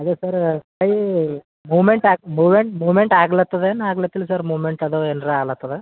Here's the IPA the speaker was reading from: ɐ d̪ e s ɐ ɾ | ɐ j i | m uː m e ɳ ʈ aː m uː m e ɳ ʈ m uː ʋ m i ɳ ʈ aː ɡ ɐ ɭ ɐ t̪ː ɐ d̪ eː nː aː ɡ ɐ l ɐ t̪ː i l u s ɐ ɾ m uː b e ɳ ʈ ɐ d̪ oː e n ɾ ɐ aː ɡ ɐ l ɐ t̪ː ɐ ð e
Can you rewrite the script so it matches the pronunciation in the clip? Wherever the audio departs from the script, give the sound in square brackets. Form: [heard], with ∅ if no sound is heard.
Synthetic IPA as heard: ɐ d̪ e s ɐ ɾ | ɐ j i | m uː m e ɳ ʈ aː m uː m e ɳ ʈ m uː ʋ m [e] ɳ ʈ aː ɡ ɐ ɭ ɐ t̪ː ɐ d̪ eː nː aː ɡ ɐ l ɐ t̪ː i l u s ɐ ɾ m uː [m] e ɳ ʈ ɐ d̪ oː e n ɾ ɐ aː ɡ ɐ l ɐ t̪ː ɐ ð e